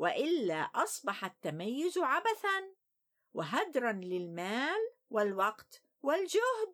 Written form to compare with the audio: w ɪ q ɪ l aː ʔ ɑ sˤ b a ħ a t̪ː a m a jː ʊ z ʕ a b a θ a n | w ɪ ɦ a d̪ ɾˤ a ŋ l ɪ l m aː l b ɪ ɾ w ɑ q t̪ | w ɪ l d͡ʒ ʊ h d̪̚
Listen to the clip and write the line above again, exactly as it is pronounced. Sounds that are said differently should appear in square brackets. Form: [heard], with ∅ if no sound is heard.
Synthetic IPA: w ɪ [ʔ] ɪ [lː] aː ʔ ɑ sˤ b [ɑ] ħ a t̪ː a m a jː ʊ z ʕ a b a θ a n | w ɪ ɦ a d̪ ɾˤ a [n] l ɪ l m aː l [w] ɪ [l] w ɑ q t̪ | w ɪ l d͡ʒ ʊ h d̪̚